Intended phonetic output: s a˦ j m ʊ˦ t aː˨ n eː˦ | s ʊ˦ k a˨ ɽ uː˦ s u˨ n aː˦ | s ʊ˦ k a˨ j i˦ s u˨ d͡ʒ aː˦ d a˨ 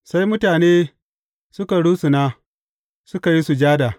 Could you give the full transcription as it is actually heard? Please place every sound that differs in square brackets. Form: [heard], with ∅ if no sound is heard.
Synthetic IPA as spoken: s a˦ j m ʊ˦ t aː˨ n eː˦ | s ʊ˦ k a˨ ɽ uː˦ s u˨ n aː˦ | s ʊ˦ k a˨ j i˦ s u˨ d͡ʒ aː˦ d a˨